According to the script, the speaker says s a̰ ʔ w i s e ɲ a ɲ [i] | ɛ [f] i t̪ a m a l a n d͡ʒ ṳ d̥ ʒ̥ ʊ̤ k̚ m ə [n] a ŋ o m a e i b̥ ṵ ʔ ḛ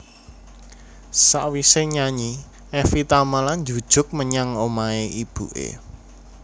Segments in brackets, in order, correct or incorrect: correct, correct, incorrect

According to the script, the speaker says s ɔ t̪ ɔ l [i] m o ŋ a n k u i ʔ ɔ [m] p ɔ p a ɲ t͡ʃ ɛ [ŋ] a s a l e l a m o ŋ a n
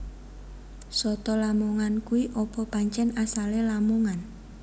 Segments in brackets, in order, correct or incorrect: incorrect, incorrect, incorrect

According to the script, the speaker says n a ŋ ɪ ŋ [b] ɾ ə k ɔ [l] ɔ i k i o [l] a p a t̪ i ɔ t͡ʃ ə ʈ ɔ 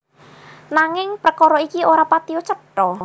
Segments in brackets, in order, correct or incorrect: incorrect, incorrect, incorrect

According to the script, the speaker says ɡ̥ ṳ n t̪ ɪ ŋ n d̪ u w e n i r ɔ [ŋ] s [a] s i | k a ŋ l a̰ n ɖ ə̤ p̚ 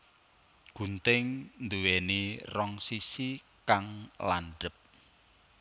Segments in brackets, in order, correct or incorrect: correct, incorrect

